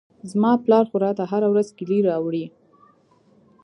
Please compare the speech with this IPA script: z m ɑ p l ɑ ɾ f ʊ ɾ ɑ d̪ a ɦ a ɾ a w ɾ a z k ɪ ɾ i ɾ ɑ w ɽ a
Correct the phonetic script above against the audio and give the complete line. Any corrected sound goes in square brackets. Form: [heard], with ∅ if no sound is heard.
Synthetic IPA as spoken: z m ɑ p l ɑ ɾ [x] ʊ ɾ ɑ [t̪] a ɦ a ɾ a w ɾ a z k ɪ [l] i ɾ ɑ w ɽ [i]